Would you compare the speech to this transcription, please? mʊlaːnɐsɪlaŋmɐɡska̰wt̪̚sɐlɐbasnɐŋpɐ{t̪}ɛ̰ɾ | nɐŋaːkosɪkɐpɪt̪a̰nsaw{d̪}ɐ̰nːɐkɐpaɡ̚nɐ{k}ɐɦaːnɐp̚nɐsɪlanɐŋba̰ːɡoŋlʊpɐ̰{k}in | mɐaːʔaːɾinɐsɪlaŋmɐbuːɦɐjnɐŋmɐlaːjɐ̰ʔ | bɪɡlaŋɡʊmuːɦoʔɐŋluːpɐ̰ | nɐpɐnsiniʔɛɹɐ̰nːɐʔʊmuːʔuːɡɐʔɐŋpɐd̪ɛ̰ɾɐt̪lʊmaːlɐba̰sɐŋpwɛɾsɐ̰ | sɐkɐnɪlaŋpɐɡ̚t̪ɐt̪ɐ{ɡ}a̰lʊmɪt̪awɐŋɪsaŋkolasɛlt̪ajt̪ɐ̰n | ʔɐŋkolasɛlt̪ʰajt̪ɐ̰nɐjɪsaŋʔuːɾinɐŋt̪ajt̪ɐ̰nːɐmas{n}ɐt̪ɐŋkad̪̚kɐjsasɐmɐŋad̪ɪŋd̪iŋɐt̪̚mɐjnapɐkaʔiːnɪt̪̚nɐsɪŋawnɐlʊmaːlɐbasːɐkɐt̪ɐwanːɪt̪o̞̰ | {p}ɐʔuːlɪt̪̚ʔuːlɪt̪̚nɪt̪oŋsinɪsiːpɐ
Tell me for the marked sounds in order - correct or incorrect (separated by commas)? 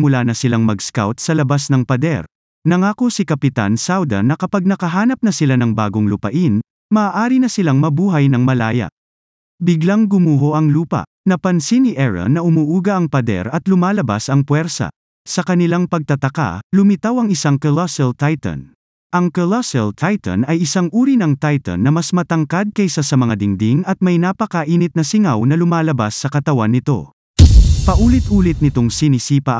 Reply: incorrect, correct, correct, incorrect, incorrect, incorrect, correct